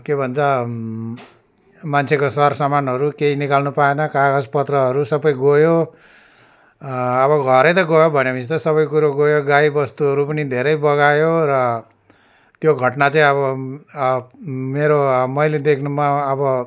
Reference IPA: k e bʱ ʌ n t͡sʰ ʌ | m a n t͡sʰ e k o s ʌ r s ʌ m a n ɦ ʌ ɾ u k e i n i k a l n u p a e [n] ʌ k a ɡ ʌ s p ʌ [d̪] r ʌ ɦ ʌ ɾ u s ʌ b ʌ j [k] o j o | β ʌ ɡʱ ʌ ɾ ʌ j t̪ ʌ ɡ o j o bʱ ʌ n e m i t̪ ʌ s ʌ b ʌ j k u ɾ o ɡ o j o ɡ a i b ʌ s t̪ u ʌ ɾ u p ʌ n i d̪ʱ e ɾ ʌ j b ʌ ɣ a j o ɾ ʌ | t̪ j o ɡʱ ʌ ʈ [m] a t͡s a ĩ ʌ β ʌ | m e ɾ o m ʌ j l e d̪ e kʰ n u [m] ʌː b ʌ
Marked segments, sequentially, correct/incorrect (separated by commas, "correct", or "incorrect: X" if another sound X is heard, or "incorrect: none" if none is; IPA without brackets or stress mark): correct, incorrect: t̪, incorrect: ɡ, incorrect: n, correct